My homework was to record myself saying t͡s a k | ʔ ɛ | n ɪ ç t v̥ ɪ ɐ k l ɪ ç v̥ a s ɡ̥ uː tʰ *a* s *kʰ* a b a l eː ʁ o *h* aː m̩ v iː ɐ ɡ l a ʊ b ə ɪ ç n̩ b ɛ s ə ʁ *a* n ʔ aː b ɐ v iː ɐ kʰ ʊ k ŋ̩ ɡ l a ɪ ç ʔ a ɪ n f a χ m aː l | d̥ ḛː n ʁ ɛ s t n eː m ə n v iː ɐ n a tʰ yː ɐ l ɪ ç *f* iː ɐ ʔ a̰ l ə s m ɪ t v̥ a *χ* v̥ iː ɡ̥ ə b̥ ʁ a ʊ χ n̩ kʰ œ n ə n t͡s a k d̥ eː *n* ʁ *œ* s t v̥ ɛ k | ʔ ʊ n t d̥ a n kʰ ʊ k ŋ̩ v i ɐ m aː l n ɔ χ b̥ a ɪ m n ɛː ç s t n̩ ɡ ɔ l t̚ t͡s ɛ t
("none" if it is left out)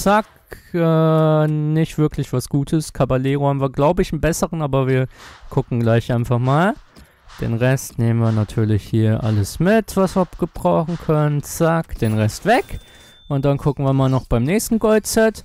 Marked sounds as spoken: ə, kʰ, h, ə, h, s, n, ɛ

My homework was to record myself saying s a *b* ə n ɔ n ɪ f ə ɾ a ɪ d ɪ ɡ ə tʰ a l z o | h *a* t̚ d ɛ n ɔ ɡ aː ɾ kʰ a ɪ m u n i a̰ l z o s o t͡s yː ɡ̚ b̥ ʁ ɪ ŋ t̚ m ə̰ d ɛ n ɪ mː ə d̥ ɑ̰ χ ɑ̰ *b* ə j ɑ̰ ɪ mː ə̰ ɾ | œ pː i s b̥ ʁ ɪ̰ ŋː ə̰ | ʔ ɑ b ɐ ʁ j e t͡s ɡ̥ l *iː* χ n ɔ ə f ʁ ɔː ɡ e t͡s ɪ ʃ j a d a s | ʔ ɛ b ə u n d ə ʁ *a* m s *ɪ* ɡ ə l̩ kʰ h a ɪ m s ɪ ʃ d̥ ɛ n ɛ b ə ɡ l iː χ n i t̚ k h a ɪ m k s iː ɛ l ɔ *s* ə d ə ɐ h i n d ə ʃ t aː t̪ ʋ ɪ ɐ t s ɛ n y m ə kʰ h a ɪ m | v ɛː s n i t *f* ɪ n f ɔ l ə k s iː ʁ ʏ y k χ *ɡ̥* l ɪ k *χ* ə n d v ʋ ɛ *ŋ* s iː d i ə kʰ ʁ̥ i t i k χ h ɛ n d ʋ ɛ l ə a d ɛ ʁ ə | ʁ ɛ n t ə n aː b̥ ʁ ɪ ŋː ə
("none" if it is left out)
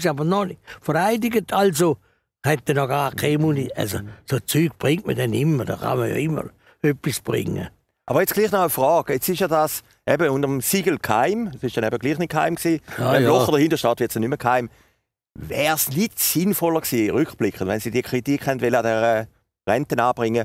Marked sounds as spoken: b, ɛ, m, iː, ə, i, χ, s, b̥, χ, n

